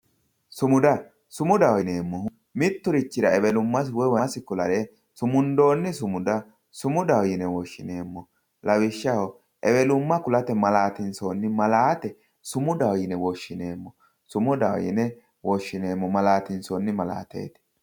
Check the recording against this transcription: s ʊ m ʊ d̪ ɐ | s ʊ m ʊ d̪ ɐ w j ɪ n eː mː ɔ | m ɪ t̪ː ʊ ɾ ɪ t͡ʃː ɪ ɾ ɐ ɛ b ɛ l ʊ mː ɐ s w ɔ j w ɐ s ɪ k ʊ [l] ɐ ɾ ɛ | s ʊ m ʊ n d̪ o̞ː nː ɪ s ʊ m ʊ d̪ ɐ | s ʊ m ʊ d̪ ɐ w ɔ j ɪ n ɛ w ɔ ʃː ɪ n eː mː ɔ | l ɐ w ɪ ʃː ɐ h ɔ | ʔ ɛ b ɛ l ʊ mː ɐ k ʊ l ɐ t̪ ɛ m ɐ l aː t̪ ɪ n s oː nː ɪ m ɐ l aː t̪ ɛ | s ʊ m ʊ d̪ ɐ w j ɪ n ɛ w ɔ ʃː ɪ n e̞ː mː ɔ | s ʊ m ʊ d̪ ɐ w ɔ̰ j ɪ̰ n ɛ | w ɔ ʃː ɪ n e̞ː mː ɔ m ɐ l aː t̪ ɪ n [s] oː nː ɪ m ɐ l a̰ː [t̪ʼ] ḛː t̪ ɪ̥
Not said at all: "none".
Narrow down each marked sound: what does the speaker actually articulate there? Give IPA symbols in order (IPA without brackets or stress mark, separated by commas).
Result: l, s, t̪